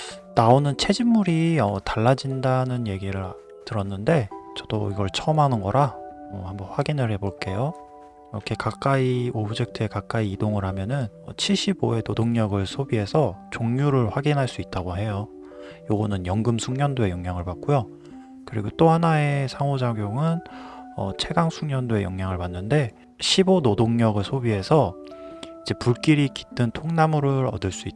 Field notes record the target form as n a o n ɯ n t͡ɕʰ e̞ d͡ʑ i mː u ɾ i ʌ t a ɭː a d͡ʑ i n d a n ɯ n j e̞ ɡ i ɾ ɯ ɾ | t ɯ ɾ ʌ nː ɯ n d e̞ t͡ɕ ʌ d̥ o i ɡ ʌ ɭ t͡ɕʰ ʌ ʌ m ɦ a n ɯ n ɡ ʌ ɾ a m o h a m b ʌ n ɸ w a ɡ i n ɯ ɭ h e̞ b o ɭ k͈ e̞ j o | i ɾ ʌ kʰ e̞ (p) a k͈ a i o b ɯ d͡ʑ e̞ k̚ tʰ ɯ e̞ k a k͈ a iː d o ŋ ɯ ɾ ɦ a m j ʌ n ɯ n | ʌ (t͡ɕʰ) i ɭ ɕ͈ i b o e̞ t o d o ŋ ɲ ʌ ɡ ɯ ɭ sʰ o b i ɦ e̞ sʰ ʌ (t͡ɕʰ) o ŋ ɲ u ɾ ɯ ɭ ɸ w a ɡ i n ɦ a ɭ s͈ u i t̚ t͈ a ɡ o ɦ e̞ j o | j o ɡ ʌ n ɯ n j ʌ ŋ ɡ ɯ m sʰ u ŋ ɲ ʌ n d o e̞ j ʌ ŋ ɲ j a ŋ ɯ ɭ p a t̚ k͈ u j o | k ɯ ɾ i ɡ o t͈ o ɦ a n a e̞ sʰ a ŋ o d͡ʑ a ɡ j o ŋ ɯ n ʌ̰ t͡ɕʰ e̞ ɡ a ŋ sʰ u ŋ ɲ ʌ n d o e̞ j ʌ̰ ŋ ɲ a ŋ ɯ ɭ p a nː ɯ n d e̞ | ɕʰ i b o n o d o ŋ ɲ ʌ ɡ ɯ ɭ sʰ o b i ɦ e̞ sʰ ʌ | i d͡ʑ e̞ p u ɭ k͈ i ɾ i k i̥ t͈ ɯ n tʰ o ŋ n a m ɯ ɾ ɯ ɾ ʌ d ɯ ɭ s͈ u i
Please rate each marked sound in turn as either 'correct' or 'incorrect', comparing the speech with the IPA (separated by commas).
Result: incorrect, correct, incorrect